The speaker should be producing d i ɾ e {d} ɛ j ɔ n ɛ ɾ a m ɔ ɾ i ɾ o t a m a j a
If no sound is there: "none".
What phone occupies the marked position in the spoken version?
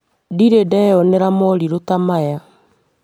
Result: d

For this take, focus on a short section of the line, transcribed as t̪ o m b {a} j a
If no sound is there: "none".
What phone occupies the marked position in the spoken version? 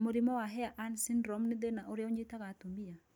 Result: i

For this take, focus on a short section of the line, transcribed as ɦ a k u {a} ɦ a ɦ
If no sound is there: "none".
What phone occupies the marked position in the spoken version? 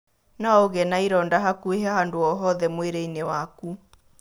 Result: e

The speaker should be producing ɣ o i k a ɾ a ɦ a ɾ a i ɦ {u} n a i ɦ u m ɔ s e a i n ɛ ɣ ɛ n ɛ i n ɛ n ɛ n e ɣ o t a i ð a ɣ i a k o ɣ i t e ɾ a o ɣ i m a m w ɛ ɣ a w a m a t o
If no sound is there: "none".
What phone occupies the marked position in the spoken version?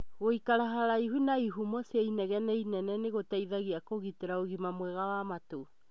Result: u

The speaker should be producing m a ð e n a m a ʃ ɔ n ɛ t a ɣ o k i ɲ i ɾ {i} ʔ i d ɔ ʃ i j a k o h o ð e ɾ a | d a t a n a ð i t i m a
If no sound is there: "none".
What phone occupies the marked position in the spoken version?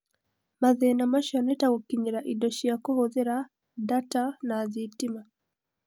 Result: a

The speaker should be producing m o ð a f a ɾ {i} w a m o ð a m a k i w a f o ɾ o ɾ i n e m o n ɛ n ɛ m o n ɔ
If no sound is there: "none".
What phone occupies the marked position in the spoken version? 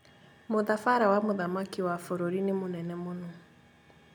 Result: a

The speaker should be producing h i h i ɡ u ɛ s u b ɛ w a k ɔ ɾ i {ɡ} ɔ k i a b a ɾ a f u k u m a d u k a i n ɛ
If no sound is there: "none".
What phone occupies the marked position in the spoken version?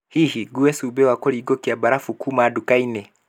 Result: ɡ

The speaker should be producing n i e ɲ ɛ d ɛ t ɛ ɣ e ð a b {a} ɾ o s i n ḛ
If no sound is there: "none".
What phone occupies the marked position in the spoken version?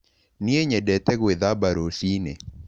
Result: a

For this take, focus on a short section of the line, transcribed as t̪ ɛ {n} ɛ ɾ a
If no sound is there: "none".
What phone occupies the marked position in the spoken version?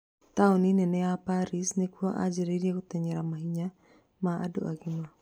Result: ɲ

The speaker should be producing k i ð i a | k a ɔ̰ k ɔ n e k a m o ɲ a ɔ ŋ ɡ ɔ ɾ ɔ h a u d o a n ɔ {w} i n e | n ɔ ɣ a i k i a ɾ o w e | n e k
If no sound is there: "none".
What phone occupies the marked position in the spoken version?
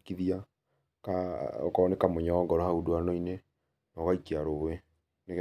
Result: none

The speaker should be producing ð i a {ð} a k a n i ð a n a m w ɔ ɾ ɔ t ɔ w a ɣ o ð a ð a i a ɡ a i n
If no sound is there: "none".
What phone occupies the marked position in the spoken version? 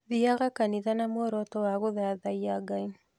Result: ɣ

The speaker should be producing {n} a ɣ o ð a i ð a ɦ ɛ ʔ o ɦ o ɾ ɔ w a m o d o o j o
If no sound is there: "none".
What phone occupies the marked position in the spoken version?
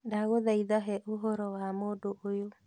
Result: d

